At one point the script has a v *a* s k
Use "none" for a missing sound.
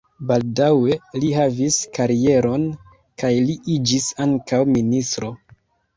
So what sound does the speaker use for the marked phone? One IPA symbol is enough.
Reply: i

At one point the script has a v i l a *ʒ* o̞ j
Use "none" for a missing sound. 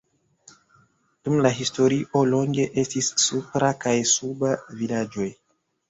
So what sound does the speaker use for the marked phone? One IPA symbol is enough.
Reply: d͡ʒ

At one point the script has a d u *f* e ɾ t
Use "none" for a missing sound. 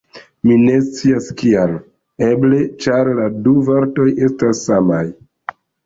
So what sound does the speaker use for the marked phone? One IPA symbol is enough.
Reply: v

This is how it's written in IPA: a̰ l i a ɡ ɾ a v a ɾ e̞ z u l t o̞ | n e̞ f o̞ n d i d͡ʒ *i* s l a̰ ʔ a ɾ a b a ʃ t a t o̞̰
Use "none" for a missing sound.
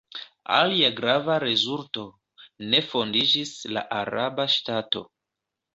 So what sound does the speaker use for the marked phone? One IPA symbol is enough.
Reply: i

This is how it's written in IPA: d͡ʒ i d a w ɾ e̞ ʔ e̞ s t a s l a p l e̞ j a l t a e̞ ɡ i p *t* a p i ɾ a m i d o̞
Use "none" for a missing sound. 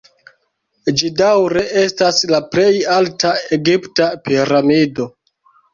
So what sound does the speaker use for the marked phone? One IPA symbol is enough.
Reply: t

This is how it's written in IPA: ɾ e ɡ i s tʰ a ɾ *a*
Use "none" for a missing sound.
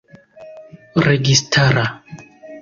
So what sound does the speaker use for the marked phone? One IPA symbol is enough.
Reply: a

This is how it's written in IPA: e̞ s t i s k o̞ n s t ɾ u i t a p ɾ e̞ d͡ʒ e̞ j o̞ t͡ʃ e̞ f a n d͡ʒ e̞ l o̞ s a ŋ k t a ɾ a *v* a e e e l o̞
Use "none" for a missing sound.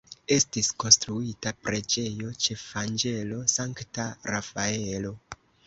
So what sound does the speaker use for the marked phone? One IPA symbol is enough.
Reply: f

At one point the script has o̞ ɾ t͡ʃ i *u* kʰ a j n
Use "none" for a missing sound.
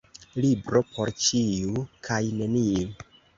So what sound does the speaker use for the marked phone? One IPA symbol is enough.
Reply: u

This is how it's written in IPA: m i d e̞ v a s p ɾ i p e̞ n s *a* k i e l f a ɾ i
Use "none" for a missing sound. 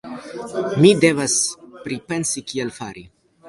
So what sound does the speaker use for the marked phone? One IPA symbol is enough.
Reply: i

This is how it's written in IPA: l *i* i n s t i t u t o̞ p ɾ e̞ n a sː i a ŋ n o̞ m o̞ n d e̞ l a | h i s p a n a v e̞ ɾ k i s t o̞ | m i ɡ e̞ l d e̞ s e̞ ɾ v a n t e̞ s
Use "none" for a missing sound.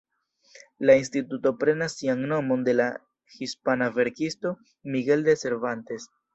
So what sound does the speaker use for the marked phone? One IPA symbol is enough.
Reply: a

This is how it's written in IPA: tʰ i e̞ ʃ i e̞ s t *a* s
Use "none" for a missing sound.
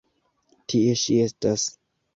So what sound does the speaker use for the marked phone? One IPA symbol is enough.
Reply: a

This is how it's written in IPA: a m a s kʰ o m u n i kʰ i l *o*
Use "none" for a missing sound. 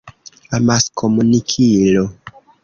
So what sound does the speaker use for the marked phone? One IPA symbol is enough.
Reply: o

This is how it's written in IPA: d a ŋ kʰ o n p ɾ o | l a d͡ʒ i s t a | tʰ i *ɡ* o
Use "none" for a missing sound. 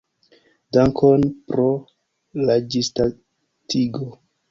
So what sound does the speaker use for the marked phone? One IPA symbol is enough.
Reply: ɡ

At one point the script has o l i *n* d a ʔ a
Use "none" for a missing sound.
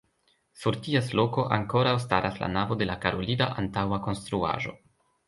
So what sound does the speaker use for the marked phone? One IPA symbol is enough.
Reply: none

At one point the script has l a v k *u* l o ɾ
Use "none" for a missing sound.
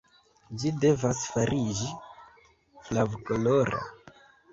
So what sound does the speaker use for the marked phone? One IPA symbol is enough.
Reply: o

